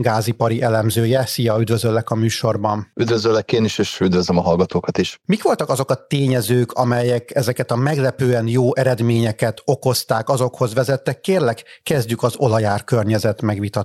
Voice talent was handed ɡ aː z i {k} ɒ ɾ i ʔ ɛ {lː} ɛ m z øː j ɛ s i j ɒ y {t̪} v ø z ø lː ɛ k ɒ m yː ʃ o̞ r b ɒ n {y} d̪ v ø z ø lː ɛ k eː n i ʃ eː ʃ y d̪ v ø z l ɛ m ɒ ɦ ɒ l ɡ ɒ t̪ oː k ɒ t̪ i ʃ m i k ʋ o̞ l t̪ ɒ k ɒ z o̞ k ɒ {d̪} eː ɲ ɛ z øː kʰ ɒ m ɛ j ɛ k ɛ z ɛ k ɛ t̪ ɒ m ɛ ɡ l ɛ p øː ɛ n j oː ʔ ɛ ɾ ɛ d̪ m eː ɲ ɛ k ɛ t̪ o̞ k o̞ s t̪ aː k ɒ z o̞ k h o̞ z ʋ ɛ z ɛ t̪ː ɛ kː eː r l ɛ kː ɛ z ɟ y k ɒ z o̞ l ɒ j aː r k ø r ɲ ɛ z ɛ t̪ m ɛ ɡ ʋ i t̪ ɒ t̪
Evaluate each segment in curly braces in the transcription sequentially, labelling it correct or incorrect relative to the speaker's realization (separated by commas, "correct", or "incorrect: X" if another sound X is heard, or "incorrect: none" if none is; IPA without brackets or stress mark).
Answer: incorrect: p, incorrect: l, incorrect: d̪, correct, incorrect: t̪